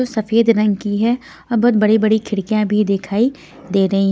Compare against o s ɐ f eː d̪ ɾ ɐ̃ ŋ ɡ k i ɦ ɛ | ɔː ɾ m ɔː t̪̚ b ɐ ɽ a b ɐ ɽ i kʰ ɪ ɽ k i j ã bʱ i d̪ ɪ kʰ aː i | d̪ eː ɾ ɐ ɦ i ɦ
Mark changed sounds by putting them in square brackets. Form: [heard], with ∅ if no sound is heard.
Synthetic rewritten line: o s ɐ f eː d̪ ɾ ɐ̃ ŋ ɡ k i ɦ ɛ | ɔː ɾ [b] ɔː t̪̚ b ɐ ɽ [i] b ɐ ɽ i kʰ ɪ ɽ k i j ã bʱ i d̪ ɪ kʰ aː i | d̪ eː ɾ ɐ ɦ i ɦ